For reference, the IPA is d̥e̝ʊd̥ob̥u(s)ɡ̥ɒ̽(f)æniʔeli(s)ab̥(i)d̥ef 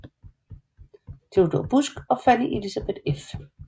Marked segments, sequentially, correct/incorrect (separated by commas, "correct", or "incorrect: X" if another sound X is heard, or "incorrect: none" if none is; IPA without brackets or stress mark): correct, correct, correct, incorrect: e